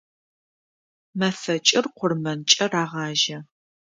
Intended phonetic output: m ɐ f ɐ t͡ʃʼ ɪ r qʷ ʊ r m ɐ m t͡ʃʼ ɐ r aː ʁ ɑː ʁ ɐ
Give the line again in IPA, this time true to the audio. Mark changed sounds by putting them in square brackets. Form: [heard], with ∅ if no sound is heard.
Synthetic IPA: m ɐ f ɐ t͡ʃʼ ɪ r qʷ ʊ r m ɐ [n] t͡ʃʼ ɐ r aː ʁ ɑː [ʒ] ɐ